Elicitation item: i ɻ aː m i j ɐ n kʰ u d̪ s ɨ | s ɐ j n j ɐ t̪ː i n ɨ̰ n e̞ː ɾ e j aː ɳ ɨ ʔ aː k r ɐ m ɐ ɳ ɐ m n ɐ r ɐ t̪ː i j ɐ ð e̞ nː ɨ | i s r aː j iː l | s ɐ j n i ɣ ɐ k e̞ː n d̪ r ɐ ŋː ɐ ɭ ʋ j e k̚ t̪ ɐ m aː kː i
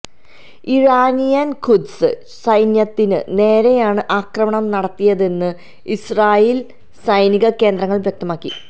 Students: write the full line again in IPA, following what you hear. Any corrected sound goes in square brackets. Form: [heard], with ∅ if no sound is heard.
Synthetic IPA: i ɻ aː [n] i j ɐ n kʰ u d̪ s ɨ | s ɐ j n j ɐ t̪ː i n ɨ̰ n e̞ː ɾ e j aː ɳ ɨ ʔ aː k r ɐ m ɐ ɳ ɐ m n ɐ [ɽ] ɐ t̪ː i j ɐ ð e̞ nː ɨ | i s r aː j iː l | s ɐ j n i ɣ ɐ k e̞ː n d̪ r ɐ ŋː ɐ ɭ ʋ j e k̚ t̪ ɐ m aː kː i